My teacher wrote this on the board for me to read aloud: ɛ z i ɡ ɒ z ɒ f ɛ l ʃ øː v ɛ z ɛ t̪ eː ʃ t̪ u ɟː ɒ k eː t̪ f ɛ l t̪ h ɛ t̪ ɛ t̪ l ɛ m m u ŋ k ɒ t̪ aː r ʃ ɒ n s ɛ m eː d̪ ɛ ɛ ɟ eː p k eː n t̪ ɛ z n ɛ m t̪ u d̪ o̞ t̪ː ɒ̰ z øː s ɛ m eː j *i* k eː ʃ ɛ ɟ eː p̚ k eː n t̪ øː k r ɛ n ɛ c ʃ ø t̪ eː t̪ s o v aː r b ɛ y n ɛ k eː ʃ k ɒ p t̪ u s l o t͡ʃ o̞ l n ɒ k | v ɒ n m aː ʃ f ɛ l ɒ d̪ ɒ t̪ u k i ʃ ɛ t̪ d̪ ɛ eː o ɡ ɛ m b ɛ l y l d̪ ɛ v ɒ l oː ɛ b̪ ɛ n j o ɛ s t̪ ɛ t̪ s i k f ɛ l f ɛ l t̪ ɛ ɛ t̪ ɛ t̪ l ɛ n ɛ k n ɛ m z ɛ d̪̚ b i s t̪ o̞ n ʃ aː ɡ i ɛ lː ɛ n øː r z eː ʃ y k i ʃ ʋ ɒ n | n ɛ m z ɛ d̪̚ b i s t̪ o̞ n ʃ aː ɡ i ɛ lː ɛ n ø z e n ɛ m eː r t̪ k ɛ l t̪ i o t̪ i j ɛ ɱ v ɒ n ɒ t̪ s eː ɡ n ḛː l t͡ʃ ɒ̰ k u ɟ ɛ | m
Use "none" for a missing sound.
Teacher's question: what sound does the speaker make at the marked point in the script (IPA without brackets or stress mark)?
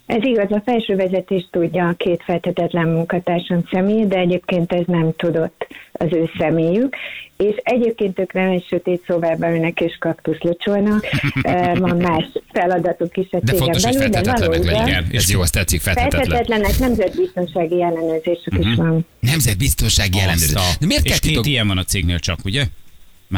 y